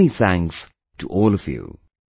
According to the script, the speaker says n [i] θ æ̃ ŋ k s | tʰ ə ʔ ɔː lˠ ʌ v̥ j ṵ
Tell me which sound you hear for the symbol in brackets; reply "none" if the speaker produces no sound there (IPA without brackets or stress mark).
i